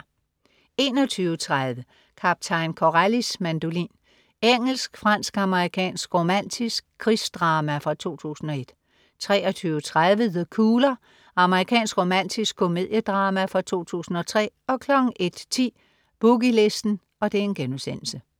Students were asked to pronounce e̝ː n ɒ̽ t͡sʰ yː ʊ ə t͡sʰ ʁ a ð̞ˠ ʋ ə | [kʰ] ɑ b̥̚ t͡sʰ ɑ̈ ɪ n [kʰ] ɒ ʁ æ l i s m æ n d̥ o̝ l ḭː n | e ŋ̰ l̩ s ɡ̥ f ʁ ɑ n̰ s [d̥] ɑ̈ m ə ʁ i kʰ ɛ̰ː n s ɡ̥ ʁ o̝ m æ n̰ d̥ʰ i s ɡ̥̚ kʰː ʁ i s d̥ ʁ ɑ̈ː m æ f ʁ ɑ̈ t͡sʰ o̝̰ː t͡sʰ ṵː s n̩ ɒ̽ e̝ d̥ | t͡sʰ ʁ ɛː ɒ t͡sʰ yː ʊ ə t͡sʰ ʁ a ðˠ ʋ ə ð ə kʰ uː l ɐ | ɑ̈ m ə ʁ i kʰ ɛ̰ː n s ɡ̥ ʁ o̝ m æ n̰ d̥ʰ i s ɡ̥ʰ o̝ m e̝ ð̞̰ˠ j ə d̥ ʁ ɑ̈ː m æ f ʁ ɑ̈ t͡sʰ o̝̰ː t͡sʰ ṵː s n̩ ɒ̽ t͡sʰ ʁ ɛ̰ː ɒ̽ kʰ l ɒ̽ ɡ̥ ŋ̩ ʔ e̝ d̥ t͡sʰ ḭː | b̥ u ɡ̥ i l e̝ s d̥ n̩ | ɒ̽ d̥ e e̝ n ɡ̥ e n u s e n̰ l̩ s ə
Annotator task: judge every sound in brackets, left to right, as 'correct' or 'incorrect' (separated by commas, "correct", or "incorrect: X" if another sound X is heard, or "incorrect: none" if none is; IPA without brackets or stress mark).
correct, correct, incorrect: ɡ̥